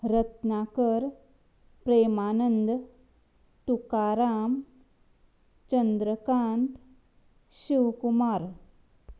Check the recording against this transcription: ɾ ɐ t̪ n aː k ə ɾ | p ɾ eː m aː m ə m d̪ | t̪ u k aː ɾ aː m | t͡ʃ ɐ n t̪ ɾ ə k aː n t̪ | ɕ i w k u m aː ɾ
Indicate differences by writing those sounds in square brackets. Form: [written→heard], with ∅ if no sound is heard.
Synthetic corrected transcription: ɾ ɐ t̪ n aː k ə ɾ | p ɾ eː m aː [m→n] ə [m→n] d̪ | t̪ u k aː ɾ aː m | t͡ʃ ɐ n [t̪→d̪] ɾ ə k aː n t̪ | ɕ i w k u m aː ɾ